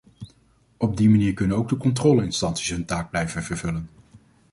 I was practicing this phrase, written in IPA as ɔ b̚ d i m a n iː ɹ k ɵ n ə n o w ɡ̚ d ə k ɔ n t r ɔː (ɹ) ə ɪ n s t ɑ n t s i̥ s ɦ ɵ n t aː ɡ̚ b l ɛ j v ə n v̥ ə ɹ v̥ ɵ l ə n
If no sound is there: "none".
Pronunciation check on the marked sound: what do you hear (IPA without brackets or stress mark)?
l